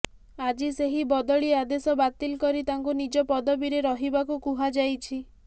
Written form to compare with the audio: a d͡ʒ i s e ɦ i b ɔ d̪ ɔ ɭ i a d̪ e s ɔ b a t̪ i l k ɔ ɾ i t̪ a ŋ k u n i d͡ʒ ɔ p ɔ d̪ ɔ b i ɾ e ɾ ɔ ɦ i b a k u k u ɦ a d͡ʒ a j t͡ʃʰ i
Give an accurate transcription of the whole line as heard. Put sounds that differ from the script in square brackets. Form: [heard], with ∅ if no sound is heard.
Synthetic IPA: a d͡ʒ i s e ɦ i b ɔ d̪ ɔ ɭ i a d̪ e s ɔ b a t̪ i l k ɔ ɾ i t̪ a ŋ k u n i d͡ʒ ɔ p ɔ d̪ ɔ b i ɾ e ɾ ɔ ɦ i b a k u k u ɦ a d͡ʒ a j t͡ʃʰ i